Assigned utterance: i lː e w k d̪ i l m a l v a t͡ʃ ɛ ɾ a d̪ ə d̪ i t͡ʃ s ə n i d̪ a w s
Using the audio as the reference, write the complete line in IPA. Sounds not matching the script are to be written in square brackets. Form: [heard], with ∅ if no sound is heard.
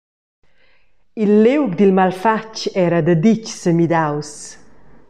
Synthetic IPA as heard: i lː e w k d̪ i l m a l [f] a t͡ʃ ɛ ɾ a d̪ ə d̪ i t͡ʃ s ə [m] i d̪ a w s